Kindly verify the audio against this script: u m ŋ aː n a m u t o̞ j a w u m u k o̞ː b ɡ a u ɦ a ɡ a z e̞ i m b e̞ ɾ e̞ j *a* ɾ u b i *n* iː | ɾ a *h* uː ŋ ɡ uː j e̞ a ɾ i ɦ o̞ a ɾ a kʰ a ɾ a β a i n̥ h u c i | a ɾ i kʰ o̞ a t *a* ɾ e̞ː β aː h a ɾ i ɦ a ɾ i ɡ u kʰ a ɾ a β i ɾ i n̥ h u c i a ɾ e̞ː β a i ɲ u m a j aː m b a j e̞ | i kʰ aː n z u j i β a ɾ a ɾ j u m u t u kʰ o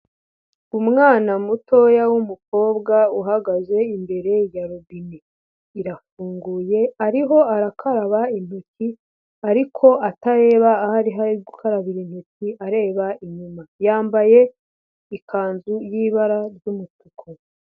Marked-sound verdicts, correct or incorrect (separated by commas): correct, correct, incorrect, correct